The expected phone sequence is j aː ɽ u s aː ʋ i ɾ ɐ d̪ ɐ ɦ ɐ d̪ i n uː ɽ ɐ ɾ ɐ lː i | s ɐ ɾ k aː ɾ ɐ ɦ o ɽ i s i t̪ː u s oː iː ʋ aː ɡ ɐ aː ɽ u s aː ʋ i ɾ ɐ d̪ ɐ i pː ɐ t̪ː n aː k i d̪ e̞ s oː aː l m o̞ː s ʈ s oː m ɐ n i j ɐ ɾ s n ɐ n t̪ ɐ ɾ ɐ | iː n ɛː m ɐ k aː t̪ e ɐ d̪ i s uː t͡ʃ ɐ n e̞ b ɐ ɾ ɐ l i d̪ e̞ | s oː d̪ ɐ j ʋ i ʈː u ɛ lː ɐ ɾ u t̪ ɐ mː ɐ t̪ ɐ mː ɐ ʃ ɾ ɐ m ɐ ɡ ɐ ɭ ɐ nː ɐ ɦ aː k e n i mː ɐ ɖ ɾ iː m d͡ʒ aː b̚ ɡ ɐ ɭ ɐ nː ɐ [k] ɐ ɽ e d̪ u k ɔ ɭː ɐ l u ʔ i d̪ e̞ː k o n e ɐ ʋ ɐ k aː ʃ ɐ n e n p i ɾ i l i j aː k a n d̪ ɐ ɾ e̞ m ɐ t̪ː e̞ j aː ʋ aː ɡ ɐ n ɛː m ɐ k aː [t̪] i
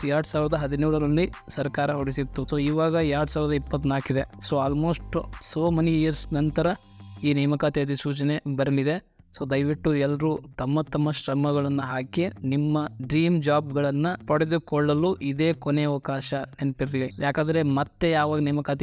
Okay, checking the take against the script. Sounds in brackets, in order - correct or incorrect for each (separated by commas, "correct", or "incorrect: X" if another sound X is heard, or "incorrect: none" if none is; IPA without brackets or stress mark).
incorrect: p, correct